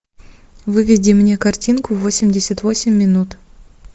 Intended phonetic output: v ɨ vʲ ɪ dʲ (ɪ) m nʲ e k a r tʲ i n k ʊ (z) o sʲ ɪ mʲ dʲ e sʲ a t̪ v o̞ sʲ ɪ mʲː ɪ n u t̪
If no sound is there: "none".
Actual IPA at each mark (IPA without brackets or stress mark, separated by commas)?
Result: i, v